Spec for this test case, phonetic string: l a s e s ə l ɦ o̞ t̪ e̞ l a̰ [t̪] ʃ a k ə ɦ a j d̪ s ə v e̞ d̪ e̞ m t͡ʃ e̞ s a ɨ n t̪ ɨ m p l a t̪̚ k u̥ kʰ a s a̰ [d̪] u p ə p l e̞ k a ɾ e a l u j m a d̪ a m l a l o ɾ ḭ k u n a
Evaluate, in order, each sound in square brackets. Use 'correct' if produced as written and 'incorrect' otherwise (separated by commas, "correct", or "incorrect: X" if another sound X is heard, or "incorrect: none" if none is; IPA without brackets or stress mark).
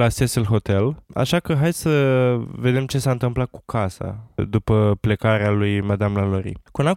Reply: incorrect: none, correct